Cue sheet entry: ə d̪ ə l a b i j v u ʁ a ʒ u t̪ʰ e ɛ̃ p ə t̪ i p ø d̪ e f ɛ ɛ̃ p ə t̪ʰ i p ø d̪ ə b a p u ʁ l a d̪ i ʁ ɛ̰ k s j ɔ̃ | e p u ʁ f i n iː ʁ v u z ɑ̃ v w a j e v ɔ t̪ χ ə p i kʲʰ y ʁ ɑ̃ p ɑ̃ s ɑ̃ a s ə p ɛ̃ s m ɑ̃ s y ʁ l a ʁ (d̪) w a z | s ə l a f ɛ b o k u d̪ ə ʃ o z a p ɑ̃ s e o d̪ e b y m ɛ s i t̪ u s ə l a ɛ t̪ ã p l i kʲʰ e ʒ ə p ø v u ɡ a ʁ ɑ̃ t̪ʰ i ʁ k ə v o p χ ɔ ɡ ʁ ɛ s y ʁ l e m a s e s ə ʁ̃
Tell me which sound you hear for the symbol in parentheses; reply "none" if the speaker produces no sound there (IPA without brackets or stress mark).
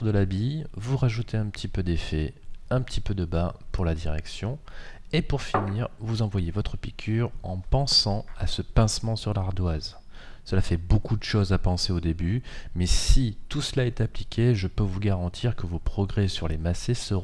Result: d̪